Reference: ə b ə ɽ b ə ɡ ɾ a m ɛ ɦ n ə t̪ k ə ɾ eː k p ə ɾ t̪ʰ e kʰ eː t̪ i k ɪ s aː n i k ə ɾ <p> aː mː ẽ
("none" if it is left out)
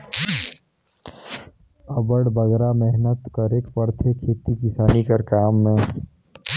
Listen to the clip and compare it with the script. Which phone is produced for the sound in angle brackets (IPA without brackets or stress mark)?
k